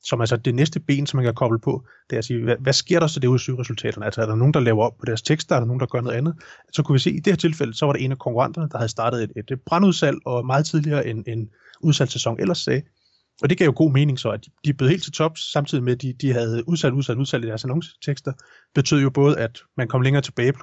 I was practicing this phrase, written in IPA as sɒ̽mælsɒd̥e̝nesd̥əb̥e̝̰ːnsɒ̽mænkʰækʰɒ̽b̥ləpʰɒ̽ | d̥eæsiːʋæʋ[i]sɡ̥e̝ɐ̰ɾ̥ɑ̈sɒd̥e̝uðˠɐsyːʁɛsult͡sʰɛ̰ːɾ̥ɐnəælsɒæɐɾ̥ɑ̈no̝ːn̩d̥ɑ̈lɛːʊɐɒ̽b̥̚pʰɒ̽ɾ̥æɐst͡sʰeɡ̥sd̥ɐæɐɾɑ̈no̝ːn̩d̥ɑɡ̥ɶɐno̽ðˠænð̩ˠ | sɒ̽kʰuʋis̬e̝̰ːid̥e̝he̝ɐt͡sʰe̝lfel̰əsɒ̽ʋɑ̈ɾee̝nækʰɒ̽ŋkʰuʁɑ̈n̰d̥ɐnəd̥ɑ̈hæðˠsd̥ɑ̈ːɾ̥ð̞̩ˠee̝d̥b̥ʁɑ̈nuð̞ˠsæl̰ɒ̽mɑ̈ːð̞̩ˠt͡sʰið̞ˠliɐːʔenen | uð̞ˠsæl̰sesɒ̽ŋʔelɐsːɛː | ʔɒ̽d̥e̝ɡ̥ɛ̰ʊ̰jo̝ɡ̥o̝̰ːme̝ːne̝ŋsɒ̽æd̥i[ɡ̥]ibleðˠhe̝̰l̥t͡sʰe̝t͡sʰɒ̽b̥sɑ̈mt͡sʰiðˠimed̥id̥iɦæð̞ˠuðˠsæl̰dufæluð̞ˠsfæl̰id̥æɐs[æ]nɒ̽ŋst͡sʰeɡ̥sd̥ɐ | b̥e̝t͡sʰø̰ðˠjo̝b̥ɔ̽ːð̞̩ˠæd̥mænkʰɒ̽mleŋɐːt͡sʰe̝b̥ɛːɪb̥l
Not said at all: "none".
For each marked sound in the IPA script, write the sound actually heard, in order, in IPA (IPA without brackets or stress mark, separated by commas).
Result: æ, d̥, æ